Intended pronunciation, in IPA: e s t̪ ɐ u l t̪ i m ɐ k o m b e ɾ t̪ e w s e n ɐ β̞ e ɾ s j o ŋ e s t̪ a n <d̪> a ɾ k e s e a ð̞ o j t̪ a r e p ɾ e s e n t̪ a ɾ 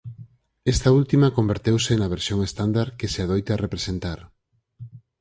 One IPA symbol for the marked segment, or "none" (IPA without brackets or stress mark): d̪